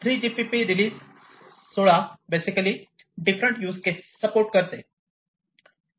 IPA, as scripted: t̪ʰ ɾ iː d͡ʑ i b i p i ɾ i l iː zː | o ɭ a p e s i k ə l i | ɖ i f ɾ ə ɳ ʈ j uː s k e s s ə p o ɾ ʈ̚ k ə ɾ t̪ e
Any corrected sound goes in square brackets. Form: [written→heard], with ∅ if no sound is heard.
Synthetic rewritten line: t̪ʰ ɾ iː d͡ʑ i [b→p] i p i ɾ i l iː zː | o ɭ a [p→b] e s i k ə l i | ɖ i f ɾ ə ɳ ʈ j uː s k e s s ə p o ɾ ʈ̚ k ə ɾ t̪ e